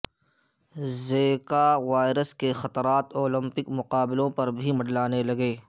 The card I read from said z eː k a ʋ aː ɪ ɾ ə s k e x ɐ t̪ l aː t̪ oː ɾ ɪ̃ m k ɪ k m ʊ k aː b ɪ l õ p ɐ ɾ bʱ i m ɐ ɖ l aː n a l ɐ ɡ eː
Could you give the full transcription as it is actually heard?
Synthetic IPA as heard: z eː k a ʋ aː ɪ ɾ ə s k e x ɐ t̪ ɾ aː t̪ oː l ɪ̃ m p ɪ k m ʊ q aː b ɪ l õ p ɐ ɾ bʱ i m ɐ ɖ l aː n e l ɐ ɡ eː